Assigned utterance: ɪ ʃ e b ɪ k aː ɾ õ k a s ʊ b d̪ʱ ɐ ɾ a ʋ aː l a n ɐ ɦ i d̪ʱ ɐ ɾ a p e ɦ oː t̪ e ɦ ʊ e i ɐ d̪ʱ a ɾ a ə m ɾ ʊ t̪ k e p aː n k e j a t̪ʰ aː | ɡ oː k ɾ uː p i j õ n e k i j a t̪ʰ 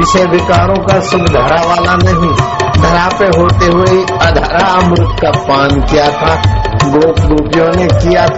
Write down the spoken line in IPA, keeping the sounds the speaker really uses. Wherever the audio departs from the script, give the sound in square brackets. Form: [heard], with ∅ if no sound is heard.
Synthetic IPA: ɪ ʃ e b ɪ k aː ɾ õ k a s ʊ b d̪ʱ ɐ ɾ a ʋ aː l a n ɐ ɦ [ĩ] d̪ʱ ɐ ɾ a p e ɦ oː t̪ e ɦ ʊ e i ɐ d̪ʱ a ɾ a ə m ɾ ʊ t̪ k [a] p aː n k [i] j a t̪ʰ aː | ɡ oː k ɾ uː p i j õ n e k i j a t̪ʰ